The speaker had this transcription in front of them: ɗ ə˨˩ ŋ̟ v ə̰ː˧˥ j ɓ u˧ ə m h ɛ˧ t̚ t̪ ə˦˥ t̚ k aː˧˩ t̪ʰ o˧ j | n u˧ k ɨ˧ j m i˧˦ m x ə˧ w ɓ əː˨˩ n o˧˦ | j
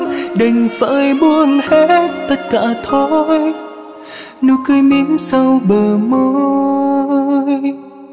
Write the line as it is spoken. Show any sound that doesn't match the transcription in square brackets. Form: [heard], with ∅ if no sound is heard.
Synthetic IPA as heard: ɗ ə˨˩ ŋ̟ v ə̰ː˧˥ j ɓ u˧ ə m h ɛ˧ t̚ t̪ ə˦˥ t̚ k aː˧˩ t̪ʰ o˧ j | n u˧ k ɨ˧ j m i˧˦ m [s] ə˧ w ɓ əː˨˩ [m] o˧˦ | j

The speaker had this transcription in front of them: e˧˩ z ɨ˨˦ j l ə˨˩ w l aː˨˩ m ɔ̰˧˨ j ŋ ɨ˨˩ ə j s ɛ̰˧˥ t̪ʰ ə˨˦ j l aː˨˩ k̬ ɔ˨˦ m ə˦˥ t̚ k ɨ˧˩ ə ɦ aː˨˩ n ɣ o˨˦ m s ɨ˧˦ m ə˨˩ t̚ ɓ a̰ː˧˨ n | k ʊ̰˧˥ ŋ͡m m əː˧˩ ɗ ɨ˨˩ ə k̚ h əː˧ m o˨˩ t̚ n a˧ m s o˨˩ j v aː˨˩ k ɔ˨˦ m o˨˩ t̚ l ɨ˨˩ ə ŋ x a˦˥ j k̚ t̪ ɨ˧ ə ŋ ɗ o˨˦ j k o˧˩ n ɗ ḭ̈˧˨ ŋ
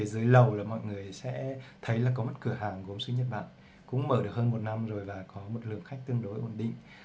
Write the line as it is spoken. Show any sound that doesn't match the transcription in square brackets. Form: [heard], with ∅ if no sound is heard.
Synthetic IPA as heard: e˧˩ z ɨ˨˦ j l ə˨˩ w l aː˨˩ m ɔ̰˧˨ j ŋ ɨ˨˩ ə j s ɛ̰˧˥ t̪ʰ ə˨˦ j l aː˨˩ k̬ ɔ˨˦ m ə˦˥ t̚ k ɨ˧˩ ə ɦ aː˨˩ [ŋ] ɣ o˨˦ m s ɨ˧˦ [ɲ] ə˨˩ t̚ ɓ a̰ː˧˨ n | k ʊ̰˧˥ ŋ͡m m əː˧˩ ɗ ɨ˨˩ ə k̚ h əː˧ m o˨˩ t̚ n a˧ m [z] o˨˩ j v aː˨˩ k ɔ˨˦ m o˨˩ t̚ l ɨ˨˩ ə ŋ x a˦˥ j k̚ t̪ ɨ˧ ə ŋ ɗ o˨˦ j [ʔ] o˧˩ n ɗ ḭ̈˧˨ ŋ

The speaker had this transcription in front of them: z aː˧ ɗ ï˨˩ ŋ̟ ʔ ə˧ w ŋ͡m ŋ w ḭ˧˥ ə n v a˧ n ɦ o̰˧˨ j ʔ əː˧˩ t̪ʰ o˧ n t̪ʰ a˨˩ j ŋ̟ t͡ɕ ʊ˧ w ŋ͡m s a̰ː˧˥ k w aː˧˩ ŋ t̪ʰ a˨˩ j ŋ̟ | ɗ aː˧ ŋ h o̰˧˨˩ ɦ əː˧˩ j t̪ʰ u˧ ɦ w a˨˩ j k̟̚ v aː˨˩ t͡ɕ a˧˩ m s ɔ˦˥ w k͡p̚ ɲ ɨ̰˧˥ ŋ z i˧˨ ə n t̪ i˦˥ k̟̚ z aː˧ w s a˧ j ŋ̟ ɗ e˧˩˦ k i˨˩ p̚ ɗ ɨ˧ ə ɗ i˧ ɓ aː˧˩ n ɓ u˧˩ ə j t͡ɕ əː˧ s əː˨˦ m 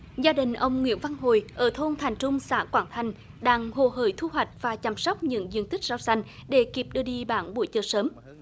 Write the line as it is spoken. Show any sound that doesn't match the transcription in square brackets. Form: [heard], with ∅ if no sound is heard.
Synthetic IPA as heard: z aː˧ ɗ ï˨˩ ŋ̟ ʔ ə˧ w ŋ͡m ŋ w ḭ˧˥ ə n v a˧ n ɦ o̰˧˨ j ʔ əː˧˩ t̪ʰ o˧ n t̪ʰ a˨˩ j ŋ̟ t͡ɕ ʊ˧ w ŋ͡m s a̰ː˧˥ k w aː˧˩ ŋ t̪ʰ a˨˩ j ŋ̟ | ɗ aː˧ ŋ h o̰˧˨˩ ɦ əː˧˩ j t̪ʰ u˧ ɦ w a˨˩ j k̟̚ v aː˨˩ t͡ɕ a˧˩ m s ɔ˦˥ w k͡p̚ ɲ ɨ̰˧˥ ŋ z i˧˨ ə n t̪ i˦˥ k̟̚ z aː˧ w s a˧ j ŋ̟ ɗ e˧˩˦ k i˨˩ p̚ ɗ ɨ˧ ə ɗ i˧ ɓ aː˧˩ n ɓ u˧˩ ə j t͡ɕ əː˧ s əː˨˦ m

